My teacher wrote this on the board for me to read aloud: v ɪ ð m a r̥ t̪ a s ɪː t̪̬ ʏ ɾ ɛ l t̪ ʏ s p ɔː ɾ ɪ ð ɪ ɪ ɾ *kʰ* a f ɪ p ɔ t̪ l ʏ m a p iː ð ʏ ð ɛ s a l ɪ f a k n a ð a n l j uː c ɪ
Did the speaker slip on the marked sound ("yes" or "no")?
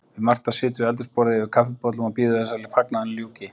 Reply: no